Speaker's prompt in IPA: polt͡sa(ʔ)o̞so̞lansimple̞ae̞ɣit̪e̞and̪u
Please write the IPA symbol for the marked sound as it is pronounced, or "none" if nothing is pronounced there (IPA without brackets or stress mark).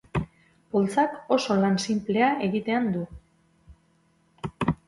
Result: k